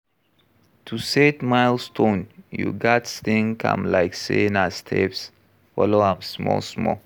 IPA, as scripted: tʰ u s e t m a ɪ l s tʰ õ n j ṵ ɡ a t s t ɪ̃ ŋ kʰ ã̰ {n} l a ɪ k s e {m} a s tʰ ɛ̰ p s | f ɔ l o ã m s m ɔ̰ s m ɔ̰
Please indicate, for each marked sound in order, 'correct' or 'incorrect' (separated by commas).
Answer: incorrect, incorrect